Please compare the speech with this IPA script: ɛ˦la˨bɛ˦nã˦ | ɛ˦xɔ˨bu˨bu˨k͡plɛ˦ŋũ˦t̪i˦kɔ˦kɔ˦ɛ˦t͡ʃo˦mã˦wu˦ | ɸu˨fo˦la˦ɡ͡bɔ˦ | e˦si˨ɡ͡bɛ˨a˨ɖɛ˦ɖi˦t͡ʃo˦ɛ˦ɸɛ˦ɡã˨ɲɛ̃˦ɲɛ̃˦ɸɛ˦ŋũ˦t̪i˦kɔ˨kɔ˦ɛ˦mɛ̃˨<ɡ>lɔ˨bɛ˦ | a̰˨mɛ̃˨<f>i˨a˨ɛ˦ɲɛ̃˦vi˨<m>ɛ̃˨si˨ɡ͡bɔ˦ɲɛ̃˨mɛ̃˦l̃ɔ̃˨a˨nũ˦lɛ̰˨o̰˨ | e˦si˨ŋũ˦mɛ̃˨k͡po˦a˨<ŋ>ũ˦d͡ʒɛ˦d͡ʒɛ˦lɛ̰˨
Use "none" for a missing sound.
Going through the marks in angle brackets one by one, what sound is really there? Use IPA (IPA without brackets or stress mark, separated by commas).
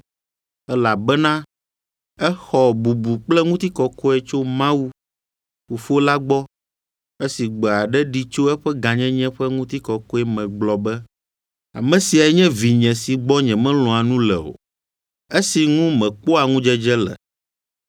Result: ɡ͡b, s, ɲ, ŋ